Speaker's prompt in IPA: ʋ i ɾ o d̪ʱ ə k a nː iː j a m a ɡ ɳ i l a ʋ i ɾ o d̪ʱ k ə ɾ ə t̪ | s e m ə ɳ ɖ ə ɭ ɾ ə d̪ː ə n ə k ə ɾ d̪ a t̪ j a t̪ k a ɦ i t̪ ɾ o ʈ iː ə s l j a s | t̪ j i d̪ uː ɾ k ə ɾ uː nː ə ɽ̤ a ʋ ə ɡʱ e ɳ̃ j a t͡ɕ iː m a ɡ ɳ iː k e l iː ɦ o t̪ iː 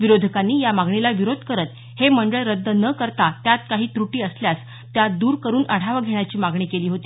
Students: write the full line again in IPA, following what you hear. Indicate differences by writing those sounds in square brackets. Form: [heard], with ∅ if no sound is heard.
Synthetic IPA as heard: ʋ i ɾ o d̪ʱ ə k a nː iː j a m a ɡ ɳ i l a ʋ i ɾ o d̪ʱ k ə ɾ ə t̪ | [h] e m ə ɳ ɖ ə ɭ ɾ ə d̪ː ə n ə k ə ɾ [t̪] a t̪ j a t̪ k a ɦ [iː] t̪ ɾ [u] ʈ iː ə s l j a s | t̪ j [a] d̪ uː ɾ k ə ɾ uː [n] ə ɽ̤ a ʋ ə ɡʱ e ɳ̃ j a t͡ɕ iː m a ɡ ɳ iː k e l iː ɦ o t̪ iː